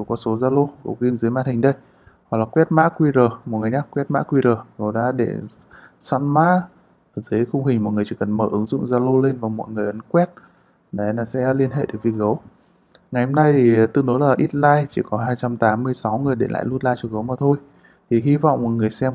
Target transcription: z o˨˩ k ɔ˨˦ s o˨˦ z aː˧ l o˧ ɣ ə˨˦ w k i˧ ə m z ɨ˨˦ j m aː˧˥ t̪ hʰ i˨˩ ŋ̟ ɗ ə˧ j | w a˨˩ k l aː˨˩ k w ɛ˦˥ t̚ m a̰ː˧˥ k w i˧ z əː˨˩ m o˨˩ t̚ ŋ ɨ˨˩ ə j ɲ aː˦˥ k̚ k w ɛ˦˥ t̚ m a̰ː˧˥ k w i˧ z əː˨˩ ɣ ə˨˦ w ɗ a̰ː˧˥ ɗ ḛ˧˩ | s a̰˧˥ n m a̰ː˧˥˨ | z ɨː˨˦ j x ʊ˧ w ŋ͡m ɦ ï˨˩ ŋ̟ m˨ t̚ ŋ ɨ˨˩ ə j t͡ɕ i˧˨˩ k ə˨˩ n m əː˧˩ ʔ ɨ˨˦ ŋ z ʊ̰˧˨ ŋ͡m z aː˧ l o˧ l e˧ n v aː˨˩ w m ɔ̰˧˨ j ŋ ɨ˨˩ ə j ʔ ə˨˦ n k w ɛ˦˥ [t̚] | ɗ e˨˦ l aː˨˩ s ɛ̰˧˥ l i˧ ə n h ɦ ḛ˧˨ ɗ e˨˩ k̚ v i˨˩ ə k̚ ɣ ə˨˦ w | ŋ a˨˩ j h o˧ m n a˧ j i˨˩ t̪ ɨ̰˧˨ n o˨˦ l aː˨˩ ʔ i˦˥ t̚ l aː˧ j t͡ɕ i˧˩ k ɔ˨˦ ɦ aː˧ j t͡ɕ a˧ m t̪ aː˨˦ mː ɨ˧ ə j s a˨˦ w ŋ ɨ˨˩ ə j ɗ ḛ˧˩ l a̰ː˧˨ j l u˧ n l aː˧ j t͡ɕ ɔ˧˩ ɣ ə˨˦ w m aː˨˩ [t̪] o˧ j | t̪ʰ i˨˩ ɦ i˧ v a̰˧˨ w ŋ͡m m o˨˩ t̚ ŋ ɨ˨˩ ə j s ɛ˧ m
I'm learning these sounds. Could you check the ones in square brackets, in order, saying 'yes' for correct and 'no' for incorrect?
yes, no

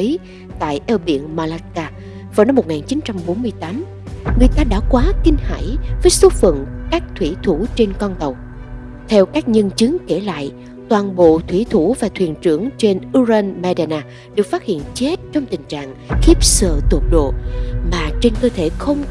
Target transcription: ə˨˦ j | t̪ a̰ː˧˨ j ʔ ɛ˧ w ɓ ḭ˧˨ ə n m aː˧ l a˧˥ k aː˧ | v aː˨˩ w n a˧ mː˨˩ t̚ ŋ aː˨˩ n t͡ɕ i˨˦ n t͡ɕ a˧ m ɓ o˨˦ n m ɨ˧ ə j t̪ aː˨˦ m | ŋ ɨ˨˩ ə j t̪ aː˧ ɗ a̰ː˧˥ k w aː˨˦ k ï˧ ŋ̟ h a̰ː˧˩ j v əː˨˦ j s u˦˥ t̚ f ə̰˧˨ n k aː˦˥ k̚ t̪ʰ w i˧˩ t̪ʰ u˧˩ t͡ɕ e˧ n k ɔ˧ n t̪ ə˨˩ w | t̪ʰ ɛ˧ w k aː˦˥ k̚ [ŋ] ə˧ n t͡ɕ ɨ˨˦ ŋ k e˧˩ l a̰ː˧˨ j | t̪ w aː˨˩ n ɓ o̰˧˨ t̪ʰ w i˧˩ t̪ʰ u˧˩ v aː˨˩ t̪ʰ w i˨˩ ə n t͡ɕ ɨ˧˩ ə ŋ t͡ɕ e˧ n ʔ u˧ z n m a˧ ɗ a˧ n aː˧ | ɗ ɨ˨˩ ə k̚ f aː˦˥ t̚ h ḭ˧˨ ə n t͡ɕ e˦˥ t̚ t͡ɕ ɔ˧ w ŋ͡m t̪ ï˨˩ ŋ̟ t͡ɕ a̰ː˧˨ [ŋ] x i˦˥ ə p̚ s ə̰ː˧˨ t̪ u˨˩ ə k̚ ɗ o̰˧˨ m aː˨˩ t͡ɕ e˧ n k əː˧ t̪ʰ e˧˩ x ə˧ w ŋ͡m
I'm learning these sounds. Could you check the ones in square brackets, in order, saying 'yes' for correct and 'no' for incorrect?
no, yes

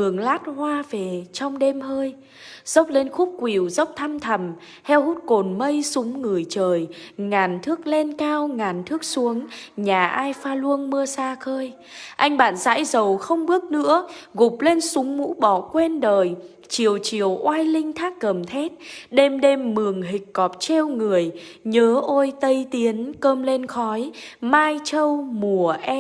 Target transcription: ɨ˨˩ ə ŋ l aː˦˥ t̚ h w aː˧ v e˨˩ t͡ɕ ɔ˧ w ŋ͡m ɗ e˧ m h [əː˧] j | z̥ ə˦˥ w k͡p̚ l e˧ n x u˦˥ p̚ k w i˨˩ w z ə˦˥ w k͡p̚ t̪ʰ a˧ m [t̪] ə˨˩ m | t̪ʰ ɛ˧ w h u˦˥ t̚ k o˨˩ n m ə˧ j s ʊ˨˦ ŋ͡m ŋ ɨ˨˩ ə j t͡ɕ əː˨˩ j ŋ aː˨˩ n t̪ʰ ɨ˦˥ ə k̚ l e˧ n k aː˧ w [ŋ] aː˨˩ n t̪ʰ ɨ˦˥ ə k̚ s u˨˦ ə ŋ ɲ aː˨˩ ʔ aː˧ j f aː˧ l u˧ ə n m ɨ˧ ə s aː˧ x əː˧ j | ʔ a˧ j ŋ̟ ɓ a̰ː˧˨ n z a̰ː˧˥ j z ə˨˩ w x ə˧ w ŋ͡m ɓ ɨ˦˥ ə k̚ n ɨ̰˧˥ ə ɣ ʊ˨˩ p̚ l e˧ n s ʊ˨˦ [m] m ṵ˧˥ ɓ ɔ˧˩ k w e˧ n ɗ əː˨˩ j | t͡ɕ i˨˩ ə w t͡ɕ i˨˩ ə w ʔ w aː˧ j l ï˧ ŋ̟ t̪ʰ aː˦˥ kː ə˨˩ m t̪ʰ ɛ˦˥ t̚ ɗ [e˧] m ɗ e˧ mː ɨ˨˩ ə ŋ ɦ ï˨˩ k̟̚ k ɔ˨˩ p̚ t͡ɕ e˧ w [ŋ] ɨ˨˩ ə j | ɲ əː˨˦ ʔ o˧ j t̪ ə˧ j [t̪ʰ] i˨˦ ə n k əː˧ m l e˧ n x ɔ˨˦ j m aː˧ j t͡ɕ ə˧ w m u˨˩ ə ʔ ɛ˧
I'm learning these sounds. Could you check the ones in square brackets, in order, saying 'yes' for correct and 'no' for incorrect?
yes, no, yes, no, yes, yes, no

